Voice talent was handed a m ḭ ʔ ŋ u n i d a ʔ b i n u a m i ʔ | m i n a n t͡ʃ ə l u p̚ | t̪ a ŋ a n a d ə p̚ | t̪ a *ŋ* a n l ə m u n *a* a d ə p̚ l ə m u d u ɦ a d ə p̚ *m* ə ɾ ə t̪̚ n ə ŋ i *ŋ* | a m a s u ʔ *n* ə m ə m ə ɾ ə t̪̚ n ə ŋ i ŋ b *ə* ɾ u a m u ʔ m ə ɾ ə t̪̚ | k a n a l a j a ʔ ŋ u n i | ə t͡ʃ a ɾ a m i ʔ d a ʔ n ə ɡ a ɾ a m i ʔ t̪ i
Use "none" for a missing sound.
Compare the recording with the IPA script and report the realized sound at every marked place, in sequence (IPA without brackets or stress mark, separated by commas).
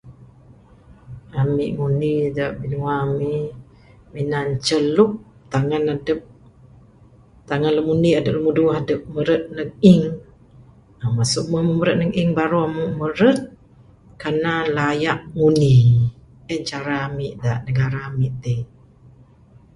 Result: ŋ, i, m, ŋ, m, a